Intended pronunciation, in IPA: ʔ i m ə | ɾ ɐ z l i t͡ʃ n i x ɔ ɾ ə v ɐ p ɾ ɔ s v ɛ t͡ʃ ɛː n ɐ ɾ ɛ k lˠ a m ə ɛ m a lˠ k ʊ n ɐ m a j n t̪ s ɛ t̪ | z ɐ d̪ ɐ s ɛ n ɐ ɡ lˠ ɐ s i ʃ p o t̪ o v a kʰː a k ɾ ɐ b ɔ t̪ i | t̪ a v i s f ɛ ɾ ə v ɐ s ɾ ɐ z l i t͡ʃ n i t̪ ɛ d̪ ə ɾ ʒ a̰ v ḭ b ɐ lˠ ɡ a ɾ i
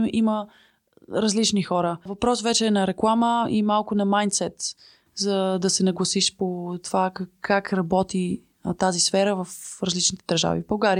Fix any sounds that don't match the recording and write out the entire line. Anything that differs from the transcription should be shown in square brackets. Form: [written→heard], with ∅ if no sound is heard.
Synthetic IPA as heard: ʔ i m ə | ɾ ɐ z l i t͡ʃ n i x ɔ ɾ ə v ɐ p ɾ ɔ s v ɛ t͡ʃ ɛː n ɐ ɾ ɛ k lˠ a m ə [ɛ→i] m a lˠ k ʊ n ɐ m a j n t̪ s ɛ t̪ | z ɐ d̪ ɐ s ɛ n ɐ ɡ lˠ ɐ s i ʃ p o t̪ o v a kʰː a k ɾ ɐ b ɔ t̪ i | t̪ a [v→z] i s f ɛ ɾ ə v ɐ [s→f] ɾ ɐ z l i t͡ʃ n i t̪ ɛ d̪ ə ɾ ʒ a̰ v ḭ b ɐ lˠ ɡ a ɾ i